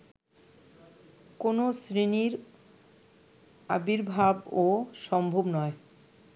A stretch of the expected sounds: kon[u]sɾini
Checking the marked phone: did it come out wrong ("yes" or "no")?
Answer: yes